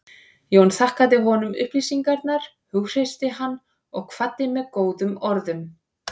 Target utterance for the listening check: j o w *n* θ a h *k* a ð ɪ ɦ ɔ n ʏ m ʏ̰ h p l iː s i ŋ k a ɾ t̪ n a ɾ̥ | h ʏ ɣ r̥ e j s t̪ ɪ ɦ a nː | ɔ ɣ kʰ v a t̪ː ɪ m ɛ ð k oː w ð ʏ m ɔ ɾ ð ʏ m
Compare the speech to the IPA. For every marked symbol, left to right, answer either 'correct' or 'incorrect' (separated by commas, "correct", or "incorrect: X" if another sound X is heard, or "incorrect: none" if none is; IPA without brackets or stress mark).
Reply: correct, correct